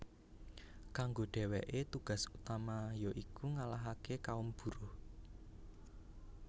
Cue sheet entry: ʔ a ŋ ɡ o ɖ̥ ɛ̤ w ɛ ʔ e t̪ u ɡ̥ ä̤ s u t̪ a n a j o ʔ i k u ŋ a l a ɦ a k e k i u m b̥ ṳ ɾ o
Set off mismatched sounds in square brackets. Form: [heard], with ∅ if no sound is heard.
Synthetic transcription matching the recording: [k] a ŋ ɡ o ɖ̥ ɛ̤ w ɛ ʔ e t̪ u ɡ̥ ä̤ s u t̪ a [m] a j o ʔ i k u ŋ a l a ɦ a k e k [a] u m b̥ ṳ ɾ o